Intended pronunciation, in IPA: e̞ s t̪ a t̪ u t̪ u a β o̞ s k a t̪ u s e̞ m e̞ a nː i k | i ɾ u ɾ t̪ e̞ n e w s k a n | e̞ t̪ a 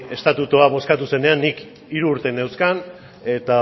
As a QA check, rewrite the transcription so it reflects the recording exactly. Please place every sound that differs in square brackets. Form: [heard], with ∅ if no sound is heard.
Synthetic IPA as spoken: e̞ s t̪ a t̪ u t̪ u a β o̞ s k a t̪ u s e̞ [n] e̞ a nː i k | i ɾ [uː] ɾ t̪ e̞ n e w s k a n | e̞ t̪ a